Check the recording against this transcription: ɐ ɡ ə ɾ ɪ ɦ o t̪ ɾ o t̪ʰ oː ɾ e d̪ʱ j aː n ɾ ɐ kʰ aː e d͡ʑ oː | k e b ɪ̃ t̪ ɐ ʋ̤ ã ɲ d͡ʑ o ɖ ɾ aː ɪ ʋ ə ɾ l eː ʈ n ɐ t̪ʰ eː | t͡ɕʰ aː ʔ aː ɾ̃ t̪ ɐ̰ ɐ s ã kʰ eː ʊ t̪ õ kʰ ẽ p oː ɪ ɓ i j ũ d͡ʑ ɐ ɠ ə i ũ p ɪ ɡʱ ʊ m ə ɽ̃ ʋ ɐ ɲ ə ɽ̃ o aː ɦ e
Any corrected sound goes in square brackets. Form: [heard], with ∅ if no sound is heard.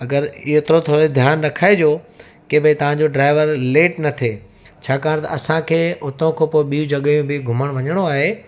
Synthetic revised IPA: ɐ ɡ ə ɾ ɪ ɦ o t̪ ɾ o t̪ʰ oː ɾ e d̪ʱ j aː n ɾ ɐ kʰ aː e d͡ʑ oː | k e b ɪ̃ t̪ ɐ ʋ̤ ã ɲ d͡ʑ o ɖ ɾ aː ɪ ʋ ə ɾ l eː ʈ n ɐ t̪ʰ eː | t͡ɕʰ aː [k] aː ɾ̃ t̪ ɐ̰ ɐ s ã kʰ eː ʊ t̪ õ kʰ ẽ p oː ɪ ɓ i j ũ d͡ʑ ɐ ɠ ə [j] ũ [b] ɪ ɡʱ ʊ m ə ɽ̃ ʋ ɐ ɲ ə ɽ̃ o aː ɦ e